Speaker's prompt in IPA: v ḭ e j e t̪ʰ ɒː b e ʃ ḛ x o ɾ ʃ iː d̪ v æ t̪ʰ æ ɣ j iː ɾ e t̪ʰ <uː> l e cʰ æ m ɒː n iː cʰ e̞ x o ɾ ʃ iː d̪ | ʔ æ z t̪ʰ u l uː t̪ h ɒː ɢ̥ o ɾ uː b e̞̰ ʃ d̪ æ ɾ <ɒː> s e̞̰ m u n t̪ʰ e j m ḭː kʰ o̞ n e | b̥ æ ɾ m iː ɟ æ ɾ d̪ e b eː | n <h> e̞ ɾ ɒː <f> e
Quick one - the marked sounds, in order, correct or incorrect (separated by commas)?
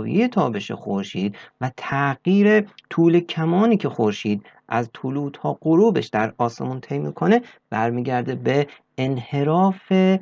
correct, correct, correct, correct